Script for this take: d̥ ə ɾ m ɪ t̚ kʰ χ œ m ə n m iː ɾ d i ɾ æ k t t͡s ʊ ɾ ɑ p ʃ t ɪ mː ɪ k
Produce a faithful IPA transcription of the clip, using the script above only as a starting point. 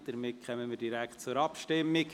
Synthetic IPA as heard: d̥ ə ɾ m ɪ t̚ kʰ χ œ m ə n m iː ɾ d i ɾ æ k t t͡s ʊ ɾ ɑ p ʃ t ɪ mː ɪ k

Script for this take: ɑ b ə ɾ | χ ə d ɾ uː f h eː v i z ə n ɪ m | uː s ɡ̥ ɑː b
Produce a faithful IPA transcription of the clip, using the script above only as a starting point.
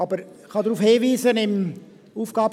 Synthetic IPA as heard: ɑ b ə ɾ | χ ɑ d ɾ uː f h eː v iː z ə n ɪ m | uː f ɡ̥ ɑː b

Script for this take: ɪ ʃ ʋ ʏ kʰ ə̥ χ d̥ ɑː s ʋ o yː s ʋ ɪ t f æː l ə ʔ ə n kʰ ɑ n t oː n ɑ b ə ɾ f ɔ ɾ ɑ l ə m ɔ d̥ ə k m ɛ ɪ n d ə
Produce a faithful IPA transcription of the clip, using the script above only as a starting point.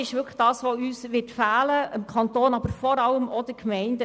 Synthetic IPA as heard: ɪ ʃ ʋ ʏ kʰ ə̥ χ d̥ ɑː s ʋ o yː s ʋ ɪ t f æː l ə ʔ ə m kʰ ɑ n t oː n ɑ b ə ɾ f ɔ ɾ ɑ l ə m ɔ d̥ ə k m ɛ ɪ n d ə

